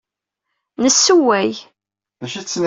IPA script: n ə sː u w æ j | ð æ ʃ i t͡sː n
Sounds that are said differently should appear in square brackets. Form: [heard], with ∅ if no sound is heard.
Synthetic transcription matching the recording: n ə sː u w æ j | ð æ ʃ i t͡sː n